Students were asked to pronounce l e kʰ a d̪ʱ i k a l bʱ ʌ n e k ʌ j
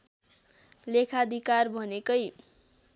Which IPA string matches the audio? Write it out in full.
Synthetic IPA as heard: l e kʰ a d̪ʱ i k a r bʱ ʌ n e k ʌ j